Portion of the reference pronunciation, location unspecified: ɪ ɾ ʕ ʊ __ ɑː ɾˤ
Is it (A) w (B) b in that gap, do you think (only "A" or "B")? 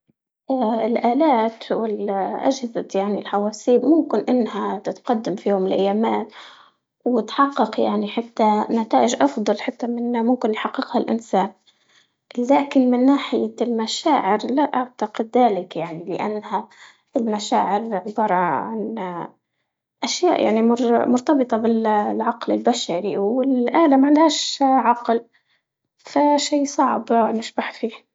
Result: B